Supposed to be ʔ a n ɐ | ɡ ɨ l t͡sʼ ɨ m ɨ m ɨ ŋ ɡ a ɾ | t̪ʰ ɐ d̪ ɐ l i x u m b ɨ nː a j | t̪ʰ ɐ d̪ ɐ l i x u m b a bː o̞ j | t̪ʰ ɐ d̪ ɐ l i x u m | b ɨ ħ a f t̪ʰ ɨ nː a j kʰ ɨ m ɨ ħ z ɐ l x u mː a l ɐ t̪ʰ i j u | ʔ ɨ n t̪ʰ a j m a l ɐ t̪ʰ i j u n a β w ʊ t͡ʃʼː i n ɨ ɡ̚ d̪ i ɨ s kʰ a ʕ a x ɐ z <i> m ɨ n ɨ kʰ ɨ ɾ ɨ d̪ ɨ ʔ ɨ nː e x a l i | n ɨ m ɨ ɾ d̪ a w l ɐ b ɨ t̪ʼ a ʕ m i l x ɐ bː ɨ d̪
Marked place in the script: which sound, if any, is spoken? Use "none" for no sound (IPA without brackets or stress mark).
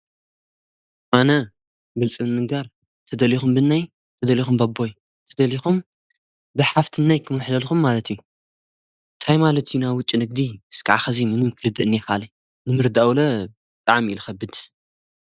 i